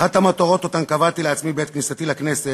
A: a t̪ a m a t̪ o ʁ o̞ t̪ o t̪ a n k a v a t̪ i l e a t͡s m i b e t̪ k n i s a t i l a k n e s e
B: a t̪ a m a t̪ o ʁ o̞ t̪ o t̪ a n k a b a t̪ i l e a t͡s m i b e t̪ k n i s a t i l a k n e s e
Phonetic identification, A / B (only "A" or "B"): A